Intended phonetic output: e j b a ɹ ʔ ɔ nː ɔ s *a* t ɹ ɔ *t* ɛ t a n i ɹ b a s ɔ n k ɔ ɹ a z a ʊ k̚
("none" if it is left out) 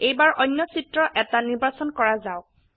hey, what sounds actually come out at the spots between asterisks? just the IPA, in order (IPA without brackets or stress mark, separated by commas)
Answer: i, ʔ